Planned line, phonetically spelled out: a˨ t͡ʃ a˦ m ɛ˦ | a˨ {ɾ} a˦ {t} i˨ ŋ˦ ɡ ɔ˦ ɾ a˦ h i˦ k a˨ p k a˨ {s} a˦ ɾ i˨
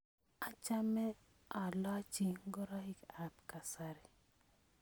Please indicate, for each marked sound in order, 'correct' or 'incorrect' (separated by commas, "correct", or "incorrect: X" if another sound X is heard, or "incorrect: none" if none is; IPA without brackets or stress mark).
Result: incorrect: l, incorrect: t͡ʃ, correct